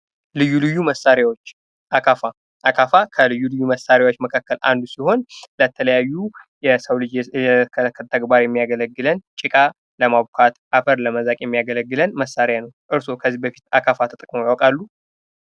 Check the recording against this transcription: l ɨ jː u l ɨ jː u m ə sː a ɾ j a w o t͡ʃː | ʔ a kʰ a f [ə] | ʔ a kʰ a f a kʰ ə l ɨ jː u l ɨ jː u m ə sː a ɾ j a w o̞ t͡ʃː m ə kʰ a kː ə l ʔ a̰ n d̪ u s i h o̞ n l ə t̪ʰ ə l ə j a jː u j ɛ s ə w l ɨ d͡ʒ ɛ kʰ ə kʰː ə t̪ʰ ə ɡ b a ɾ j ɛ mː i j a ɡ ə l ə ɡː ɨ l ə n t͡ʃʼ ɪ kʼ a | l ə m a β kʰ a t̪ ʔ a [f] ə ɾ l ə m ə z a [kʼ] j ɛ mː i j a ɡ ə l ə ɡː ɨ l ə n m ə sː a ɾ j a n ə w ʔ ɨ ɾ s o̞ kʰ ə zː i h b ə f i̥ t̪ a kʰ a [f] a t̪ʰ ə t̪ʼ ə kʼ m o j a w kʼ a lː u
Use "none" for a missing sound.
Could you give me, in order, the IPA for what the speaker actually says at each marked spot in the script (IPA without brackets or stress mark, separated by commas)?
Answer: a, f, kʼ, f